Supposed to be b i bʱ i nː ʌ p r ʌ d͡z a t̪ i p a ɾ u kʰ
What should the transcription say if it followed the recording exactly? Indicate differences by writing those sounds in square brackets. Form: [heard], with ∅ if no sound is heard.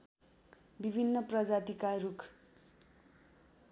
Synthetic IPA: b i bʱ i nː ʌ p r ʌ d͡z a t̪ i [k] a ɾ u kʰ